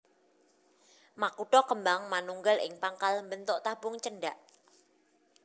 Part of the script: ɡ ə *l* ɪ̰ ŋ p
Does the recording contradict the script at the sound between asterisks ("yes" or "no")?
no